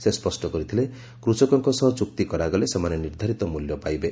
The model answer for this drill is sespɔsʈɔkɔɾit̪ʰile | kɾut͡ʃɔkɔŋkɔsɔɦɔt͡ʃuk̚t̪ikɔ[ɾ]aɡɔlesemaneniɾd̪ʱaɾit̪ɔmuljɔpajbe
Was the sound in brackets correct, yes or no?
yes